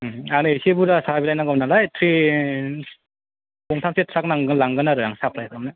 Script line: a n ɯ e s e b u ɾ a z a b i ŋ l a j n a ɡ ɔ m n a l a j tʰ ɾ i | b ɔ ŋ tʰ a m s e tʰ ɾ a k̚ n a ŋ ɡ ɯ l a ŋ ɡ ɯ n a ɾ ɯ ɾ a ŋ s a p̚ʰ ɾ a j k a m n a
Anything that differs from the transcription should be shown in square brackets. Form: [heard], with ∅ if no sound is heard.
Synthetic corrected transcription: a n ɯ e s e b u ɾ a [s] a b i [∅] l a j n a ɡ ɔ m n a l a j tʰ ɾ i | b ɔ ŋ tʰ a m s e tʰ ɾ a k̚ n a ŋ ɡ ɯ l a ŋ ɡ ɯ n a ɾ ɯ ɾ a ŋ s a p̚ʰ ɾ a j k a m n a